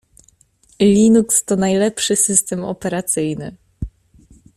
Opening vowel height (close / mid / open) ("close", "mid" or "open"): close